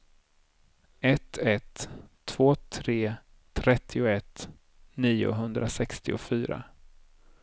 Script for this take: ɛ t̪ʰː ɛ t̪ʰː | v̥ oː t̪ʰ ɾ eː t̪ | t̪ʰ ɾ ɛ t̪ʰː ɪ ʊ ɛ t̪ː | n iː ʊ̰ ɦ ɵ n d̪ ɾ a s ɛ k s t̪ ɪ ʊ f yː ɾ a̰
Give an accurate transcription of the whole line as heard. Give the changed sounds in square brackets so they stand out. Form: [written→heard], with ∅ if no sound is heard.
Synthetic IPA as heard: ɛ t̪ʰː ɛ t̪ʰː | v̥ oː t̪ʰ ɾ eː [t̪→∅] | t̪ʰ ɾ ɛ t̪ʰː ɪ ʊ ɛ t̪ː | n iː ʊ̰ ɦ ɵ n d̪ ɾ a s ɛ k s t̪ ɪ ʊ f yː ɾ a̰